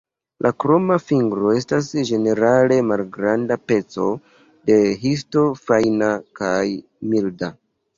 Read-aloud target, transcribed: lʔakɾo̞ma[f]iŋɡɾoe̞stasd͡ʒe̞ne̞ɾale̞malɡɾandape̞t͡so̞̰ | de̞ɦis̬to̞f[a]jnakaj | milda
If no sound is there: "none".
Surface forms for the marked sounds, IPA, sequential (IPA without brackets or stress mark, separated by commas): f, a